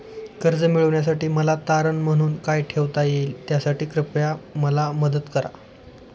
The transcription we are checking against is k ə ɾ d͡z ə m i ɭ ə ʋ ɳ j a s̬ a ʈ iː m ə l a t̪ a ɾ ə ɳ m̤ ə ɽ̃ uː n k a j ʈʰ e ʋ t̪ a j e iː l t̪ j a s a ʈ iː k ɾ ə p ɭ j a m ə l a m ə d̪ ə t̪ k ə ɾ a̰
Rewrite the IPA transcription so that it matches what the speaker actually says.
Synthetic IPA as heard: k ə ɾ d͡z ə m i ɭ ə ʋ ɳ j a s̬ a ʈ iː m ə l a t̪ a ɾ ə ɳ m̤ ə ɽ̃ uː n k a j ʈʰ e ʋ t̪ a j e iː l t̪ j a s a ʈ iː k ɾ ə p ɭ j a m ə l a m ə d̪ ə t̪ k ə ɾ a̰